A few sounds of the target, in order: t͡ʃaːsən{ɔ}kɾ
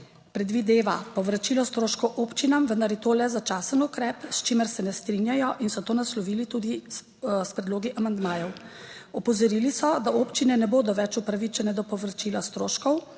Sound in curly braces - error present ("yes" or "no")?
yes